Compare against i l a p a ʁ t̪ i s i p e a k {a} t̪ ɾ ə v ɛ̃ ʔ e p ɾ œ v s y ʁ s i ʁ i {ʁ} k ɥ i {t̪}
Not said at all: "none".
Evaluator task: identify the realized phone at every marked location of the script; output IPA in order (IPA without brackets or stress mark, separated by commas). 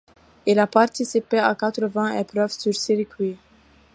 a, none, none